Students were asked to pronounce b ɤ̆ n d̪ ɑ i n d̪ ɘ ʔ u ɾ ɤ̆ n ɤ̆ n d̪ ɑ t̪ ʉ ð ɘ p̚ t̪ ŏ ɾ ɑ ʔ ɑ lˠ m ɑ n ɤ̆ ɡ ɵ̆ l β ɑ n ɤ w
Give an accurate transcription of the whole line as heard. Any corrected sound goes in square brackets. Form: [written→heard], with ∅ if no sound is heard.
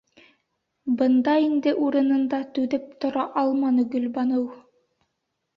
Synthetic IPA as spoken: b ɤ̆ n d̪ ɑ i n d̪ ɘ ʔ u ɾ ɤ̆ n ɤ̆ n d̪ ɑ t̪ ʉ ð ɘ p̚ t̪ ŏ ɾ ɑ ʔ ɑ lˠ m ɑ n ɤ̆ ɡ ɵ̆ l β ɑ n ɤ w